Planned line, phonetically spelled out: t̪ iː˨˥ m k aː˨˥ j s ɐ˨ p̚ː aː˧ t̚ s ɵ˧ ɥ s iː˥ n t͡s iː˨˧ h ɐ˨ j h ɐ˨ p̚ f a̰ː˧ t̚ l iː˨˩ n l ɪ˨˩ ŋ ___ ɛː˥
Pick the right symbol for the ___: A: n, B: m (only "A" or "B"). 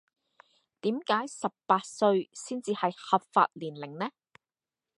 A